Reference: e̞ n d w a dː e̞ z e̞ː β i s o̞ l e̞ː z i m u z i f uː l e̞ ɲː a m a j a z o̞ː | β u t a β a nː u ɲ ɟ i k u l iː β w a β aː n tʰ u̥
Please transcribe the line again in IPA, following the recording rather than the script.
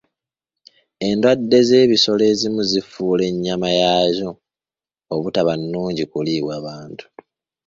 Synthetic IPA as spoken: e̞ n d w a dː e̞ z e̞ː β i s o̞ l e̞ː z i m u z i f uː l e̞ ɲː a m a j a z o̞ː | β u t a β a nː uː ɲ ɟ i k u l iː β w a β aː n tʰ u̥